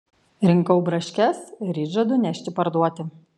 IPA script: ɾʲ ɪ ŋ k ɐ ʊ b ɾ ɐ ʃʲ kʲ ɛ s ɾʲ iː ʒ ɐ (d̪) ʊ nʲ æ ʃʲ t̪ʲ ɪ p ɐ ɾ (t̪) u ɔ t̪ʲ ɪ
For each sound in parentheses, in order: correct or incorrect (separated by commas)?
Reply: correct, incorrect